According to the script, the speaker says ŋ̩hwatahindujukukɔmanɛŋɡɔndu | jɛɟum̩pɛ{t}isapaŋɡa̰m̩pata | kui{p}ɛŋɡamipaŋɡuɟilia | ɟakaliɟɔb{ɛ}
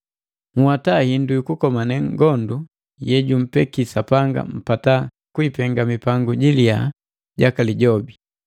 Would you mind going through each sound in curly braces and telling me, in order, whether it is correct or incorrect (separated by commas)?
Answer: incorrect, correct, incorrect